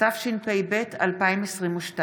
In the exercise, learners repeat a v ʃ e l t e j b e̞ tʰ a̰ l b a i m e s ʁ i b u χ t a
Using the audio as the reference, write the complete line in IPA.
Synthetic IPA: a f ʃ i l p e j b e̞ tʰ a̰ l p a i m e s ʁ i m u ʃ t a